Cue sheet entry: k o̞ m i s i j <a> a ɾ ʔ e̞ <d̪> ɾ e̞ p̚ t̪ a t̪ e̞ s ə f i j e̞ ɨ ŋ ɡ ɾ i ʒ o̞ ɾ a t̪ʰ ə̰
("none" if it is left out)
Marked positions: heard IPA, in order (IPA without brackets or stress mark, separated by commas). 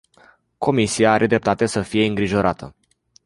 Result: a, d̪